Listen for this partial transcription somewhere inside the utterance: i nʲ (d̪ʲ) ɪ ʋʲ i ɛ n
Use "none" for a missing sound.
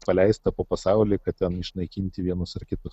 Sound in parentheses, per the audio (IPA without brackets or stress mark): t̪ʲ